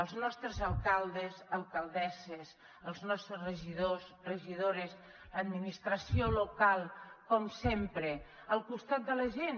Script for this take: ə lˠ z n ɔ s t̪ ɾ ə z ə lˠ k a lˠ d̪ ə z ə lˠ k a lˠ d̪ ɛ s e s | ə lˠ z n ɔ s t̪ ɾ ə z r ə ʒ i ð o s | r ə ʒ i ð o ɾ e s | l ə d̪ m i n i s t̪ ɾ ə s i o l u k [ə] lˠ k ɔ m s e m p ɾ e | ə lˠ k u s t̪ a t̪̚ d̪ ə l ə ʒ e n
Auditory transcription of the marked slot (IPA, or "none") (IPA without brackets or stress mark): a